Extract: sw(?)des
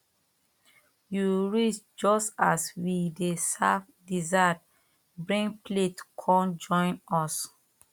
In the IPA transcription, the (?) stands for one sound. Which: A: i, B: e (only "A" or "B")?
A